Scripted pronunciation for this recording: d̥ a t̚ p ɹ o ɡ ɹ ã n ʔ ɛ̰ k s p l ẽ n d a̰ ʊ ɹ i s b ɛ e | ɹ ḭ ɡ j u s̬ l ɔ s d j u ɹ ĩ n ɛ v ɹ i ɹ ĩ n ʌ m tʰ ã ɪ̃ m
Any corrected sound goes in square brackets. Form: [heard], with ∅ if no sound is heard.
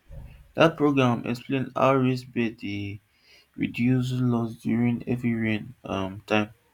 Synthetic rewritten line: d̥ a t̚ p ɹ o ɡ ɹ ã [m] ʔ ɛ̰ k s p l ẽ n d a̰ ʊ ɹ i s b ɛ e | ɹ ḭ [d] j u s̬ l ɔ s d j u ɹ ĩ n ɛ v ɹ i ɹ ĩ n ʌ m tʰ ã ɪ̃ m